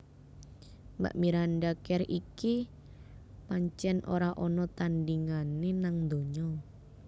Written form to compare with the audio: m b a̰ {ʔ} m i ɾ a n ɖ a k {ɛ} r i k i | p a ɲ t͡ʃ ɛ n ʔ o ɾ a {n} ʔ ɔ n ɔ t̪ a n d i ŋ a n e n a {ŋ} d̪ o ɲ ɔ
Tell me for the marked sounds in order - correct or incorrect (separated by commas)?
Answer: correct, correct, incorrect, correct